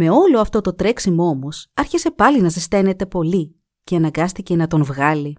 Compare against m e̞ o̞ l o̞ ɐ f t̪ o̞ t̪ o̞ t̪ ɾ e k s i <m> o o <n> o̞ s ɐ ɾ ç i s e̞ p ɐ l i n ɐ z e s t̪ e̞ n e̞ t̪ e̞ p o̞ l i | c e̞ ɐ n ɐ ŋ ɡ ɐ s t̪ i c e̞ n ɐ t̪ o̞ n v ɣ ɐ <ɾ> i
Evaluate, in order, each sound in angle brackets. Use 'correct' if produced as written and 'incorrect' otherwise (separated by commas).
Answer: correct, incorrect, incorrect